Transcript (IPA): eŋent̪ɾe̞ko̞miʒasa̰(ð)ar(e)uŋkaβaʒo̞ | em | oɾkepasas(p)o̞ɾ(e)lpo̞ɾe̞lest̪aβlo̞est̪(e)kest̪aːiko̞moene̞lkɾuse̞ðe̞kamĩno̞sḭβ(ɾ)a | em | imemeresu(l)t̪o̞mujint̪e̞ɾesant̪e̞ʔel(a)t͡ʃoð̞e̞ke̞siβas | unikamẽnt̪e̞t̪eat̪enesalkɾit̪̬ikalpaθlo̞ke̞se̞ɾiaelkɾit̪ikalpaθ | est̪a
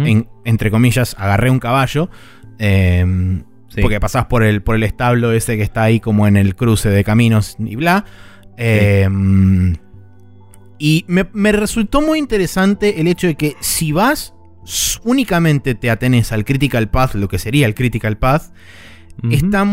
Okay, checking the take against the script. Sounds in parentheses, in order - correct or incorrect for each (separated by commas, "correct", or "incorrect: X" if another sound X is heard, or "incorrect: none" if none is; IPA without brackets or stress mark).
incorrect: ɣ, correct, correct, correct, correct, incorrect: l, correct, incorrect: e